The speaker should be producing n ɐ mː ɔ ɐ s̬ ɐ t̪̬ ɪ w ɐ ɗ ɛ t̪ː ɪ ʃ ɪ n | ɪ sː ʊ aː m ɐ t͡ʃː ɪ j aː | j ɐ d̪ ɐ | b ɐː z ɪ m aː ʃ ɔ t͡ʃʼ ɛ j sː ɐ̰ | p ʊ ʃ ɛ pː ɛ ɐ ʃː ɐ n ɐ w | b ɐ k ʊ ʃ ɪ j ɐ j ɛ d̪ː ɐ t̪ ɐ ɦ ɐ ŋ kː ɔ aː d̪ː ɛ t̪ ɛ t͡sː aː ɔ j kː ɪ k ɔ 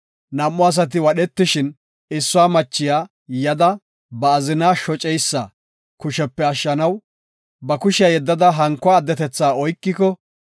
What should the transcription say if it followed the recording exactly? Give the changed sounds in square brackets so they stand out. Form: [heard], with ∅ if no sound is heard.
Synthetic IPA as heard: n ɐ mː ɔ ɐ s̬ ɐ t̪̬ ɪ w ɐ ɗ ɛ t̪ː ɪ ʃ ɪ n | ɪ sː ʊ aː m ɐ t͡ʃː ɪ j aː | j ɐ d̪ ɐ | b ɐː z ɪ [n] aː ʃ ɔ t͡ʃʼ ɛ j sː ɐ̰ | [k] ʊ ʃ ɛ pː ɛ ɐ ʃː ɐ n ɐ w | b ɐ k ʊ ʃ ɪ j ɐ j ɛ d̪ː ɐ [d̪] ɐ ɦ ɐ ŋ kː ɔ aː d̪ː ɛ t̪ ɛ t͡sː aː ɔ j kː ɪ k ɔ